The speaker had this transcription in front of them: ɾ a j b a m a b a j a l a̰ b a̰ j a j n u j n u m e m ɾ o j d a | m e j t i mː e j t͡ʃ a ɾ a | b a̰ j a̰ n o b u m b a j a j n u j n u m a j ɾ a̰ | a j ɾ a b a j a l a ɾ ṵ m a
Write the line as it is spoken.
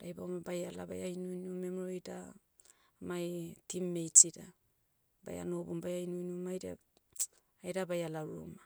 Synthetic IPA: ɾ a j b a m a b a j a l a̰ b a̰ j a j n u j n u m e m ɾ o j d a | m a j t i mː e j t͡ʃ i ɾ a | b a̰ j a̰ n o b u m b a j a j n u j n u m a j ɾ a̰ | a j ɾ a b a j a l a ɾ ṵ m a